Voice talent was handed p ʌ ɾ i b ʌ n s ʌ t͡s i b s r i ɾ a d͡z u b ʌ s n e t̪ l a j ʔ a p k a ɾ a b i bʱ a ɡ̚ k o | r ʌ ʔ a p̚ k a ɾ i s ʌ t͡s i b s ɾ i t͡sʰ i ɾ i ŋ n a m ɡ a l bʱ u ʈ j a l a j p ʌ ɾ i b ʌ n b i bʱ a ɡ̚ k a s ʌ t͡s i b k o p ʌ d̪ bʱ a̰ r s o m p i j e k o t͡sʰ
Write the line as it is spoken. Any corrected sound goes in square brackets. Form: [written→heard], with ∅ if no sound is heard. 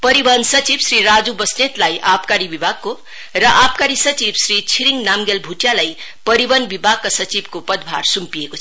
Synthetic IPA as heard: p ʌ ɾ i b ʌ n s ʌ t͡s i b s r i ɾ a d͡z u b ʌ s n e t̪ l a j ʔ a p k a ɾ [a→i] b i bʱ a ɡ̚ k o | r ʌ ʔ a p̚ k a ɾ i s ʌ t͡s i b s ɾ i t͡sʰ i ɾ i ŋ n a m ɡ [a→e] l bʱ u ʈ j a l a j p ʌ ɾ i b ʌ n b i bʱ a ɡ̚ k a s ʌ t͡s i b k o p ʌ d̪ bʱ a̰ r s [o→u] m p i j e k o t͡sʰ